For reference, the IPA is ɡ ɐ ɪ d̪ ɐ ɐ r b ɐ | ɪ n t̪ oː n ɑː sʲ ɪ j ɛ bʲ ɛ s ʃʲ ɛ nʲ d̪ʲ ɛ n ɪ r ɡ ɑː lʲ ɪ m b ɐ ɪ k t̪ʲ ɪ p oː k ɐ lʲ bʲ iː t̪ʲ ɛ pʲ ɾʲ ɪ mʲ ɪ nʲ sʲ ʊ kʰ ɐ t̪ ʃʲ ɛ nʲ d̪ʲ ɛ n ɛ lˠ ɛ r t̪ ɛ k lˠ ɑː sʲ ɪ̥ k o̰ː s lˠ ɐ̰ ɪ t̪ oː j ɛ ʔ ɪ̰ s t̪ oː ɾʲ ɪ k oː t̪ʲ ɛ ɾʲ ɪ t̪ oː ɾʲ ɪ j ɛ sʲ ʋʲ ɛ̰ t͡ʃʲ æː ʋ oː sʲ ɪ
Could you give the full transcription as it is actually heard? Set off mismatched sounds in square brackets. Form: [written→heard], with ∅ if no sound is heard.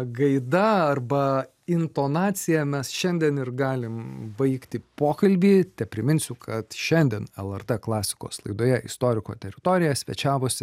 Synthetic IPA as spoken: ɡ ɐ ɪ d̪ ɐ ɐ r b ɐ | ɪ n t̪ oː n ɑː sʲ ɪ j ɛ [bʲ→mʲ] ɛ s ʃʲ ɛ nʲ d̪ʲ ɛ n ɪ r ɡ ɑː lʲ ɪ m b ɐ ɪ k t̪ʲ ɪ p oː k ɐ lʲ bʲ iː t̪ʲ ɛ pʲ ɾʲ ɪ mʲ ɪ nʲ sʲ ʊ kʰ ɐ t̪ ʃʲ ɛ nʲ d̪ʲ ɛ n ɛ lˠ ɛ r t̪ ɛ k lˠ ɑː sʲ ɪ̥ k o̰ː s lˠ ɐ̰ ɪ [t̪→d̪] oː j ɛ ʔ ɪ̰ s t̪ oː ɾʲ ɪ k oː t̪ʲ ɛ ɾʲ ɪ t̪ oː ɾʲ ɪ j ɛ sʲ ʋʲ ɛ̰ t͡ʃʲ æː ʋ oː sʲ ɪ